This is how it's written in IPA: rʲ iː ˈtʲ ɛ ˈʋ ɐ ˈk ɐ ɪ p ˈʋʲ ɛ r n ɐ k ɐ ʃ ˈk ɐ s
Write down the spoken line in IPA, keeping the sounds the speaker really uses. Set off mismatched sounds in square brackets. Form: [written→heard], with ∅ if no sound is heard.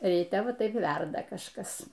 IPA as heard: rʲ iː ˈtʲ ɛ ˈʋ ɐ [ˈk→ˈt] ɐ ɪ p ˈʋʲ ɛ r [n→d] ɐ k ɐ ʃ ˈk ɐ s